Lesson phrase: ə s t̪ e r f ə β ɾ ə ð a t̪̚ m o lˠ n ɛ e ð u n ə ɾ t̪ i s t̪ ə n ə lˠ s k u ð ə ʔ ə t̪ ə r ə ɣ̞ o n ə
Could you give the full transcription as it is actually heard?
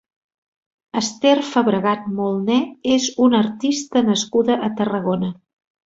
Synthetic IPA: ə s t̪ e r f ə β ɾ ə ɣ a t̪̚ m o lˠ n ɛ e z u n ə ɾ t̪ i s t̪ ə n ə s k u ð ə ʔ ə t̪ ə r ə ɣ̞ o n ə

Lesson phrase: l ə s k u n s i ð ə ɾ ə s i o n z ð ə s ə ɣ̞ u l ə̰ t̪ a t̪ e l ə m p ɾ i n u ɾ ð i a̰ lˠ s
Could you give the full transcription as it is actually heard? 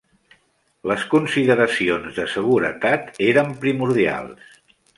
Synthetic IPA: l ə s k u n s i ð ə ɾ ə s i o n z ð ə s ə ɣ̞ u ɾ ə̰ t̪ a t̪ e ɾ ə m p ɾ i m u ɾ ð i a̰ lˠ s

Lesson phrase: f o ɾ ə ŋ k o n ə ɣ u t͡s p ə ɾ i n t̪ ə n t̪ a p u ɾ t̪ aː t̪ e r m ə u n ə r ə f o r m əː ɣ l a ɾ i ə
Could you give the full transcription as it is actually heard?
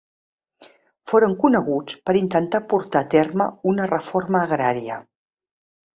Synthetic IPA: f o ɾ ə ŋ k u n ə ɣ u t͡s p ə ɾ i n t̪ ə n t̪ a p u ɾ t̪ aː t̪ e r m ə u n ə r ə f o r m əː ɣ ɾ a ɾ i ə

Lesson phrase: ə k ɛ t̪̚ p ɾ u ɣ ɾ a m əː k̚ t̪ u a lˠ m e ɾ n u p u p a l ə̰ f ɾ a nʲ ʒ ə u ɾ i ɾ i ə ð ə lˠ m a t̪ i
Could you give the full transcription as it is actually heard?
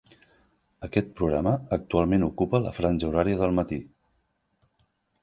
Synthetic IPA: ə k ɛ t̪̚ p ɾ u ɣ ɾ a m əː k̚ t̪ u a lˠ m e n u k u p ə l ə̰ f ɾ a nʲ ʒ ə u ɾ a ɾ i ə ð ə lˠ m ə t̪ i

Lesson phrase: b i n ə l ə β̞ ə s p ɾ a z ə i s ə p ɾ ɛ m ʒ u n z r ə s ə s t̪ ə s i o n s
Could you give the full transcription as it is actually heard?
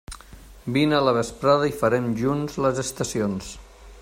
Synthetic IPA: b i n ə l ə β̞ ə s p ɾ a ð ə i f ə ɾ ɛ m ʒ u n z l ə z ə s t̪ ə s i o n s

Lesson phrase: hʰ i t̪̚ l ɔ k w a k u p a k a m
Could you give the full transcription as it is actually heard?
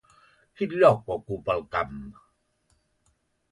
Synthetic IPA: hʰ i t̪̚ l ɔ k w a k u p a k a m

